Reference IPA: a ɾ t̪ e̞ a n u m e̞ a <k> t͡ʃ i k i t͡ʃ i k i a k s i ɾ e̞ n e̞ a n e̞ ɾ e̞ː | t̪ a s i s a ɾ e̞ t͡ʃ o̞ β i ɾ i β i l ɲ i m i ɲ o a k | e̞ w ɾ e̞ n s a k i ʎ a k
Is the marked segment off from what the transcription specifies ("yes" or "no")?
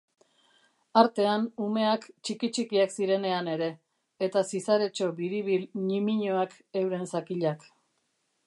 no